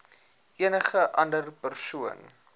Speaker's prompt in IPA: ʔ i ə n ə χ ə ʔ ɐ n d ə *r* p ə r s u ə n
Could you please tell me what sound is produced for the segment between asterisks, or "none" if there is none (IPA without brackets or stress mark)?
r